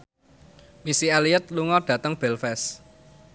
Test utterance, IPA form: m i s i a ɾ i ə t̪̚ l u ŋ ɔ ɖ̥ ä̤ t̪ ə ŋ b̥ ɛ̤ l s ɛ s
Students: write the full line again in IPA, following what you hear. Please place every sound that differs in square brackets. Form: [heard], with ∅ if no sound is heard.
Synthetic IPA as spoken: m i s i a [l] i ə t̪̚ l u ŋ ɔ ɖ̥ ä̤ t̪ ə ŋ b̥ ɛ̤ l [f] ɛ s

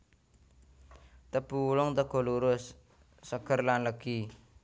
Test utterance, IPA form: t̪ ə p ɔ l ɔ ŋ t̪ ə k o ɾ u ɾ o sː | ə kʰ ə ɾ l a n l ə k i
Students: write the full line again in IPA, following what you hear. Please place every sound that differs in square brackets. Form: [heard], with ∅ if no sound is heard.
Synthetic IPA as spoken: t̪ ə p [u] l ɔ ŋ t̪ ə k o [l] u ɾ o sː | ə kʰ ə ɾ l a n l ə k i

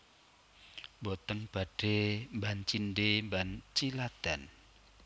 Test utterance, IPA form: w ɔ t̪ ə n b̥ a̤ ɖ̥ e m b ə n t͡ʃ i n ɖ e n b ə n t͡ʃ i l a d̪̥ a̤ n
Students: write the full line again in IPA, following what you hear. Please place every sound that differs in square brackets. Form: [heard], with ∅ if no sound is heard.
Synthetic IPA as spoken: [b] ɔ t̪ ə n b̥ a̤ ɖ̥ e m b [a] n t͡ʃ i n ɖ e [m] b [a] n t͡ʃ i l a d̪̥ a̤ n

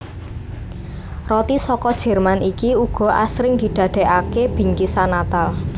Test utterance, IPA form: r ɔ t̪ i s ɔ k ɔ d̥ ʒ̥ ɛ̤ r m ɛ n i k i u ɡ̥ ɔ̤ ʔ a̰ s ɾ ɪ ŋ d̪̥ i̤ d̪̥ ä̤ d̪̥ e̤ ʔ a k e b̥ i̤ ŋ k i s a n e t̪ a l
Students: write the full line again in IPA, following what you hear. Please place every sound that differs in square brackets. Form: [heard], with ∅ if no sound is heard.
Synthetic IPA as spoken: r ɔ t̪ i s ɔ k ɔ d̥ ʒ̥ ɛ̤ r m [a] n i k i u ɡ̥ ɔ̤ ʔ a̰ s ɾ ɪ ŋ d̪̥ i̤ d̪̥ ä̤ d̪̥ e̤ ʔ a k e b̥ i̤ ŋ k i s a n [a] t̪ a l

